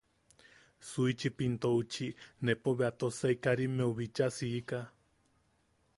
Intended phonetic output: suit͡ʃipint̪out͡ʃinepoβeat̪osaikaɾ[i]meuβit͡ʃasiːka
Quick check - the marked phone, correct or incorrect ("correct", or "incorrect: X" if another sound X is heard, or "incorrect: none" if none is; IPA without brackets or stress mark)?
correct